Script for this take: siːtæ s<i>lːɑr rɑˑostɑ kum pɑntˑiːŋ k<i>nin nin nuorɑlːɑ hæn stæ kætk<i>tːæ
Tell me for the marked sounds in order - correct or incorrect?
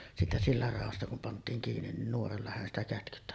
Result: correct, incorrect, incorrect

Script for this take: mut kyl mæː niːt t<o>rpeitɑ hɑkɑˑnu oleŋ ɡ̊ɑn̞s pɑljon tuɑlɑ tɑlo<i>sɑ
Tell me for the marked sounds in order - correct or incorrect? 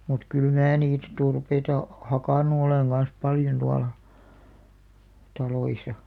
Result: incorrect, correct

